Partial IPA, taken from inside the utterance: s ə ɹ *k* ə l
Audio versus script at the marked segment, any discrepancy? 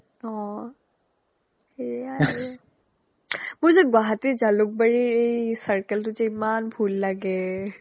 no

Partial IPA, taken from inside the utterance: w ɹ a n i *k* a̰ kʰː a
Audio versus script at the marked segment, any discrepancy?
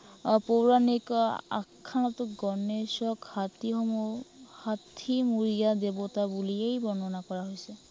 no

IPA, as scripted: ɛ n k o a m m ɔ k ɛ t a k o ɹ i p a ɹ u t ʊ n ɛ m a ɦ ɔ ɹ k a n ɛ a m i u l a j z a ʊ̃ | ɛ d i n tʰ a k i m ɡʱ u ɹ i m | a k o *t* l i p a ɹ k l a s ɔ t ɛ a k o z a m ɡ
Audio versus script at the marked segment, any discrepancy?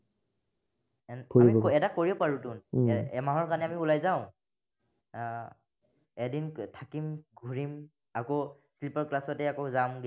yes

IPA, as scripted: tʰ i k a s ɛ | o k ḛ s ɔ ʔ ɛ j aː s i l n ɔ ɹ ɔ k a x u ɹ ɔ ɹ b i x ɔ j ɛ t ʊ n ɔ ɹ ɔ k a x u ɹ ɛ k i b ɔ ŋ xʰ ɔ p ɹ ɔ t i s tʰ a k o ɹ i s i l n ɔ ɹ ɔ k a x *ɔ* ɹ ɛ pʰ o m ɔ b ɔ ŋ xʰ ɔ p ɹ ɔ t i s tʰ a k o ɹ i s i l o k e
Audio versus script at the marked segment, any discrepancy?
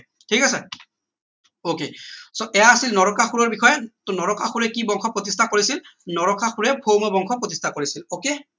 yes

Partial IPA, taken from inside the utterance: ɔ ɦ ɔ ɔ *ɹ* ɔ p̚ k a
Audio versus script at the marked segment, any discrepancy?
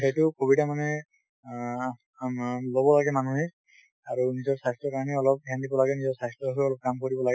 yes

